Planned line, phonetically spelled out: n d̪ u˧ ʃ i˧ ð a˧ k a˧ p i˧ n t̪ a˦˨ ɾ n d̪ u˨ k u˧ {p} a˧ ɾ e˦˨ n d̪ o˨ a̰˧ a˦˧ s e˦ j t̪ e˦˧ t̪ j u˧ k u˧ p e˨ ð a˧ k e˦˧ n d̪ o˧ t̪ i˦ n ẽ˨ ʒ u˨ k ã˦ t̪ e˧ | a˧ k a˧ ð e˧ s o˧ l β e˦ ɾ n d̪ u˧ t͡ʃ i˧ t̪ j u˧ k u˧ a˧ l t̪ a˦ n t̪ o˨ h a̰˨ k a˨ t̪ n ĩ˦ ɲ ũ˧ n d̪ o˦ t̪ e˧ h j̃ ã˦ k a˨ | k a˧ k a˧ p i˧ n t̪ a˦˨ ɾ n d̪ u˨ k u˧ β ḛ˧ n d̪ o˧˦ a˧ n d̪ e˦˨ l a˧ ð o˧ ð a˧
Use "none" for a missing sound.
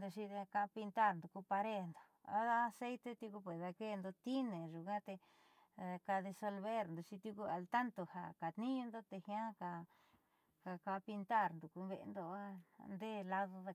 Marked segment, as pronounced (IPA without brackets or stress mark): p